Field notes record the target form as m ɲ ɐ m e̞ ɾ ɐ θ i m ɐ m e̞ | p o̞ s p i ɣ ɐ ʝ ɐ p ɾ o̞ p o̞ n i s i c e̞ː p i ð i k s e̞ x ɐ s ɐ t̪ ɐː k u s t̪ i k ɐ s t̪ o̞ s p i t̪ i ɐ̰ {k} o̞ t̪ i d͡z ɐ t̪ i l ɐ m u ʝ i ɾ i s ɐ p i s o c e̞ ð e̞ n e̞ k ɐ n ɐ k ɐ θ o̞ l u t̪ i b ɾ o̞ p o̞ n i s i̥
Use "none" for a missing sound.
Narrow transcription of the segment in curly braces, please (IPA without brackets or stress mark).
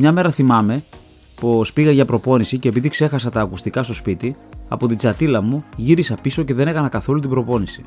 p